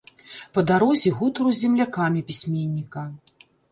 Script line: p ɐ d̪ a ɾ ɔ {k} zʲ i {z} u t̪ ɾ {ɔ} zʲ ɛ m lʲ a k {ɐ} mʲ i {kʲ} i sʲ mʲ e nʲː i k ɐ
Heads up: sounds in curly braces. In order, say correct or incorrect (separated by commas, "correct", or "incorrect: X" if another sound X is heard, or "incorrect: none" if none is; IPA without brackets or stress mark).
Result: incorrect: none, incorrect: ɣ, incorrect: u, incorrect: a, incorrect: pʲ